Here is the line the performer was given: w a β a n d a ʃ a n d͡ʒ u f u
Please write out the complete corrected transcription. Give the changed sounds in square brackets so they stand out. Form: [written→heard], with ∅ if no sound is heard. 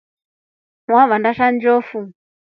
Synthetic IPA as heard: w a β a n d a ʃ a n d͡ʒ [u→ɔ] f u